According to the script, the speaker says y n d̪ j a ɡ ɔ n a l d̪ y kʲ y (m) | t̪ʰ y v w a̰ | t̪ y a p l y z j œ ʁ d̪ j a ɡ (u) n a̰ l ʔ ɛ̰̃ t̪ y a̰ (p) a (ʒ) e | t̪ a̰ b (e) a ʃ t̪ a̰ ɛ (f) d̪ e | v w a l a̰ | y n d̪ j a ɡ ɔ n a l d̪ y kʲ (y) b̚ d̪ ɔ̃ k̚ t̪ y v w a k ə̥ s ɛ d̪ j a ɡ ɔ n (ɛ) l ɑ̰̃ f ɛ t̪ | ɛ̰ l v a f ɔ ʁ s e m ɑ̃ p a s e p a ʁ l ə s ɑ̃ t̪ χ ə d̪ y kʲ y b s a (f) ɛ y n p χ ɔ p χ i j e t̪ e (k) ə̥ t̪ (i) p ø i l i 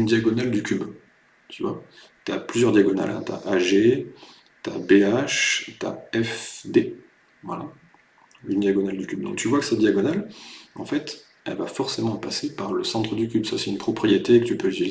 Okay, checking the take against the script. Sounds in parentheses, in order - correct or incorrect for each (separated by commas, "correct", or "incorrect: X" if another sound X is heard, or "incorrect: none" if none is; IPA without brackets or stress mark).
incorrect: b, incorrect: ɔ, incorrect: ʔ, correct, correct, correct, correct, incorrect: a, incorrect: s, correct, incorrect: y